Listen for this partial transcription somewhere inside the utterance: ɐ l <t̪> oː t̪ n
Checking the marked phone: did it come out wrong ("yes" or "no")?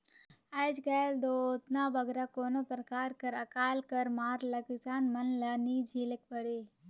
yes